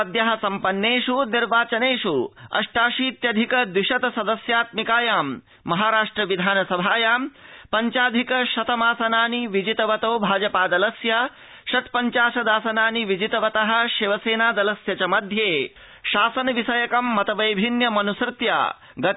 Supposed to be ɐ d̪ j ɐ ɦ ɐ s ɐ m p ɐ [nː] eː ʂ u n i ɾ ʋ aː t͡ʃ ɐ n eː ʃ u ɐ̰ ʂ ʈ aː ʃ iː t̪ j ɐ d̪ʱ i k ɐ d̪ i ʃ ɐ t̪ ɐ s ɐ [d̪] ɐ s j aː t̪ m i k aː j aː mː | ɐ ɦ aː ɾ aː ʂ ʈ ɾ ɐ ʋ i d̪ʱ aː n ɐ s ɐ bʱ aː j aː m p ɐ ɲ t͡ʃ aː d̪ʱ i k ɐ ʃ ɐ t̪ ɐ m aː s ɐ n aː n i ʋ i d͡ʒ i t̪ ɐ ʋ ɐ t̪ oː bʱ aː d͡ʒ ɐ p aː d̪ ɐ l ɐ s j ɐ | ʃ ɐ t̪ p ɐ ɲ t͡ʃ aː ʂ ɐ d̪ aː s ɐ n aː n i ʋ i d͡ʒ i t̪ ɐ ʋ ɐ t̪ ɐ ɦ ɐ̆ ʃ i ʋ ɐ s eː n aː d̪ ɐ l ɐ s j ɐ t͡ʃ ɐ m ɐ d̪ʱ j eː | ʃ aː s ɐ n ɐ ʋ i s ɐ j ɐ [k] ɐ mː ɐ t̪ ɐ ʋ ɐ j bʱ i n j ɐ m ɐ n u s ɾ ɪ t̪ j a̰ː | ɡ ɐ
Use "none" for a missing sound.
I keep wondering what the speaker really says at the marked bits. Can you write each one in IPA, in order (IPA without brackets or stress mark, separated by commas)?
nː, d̪, k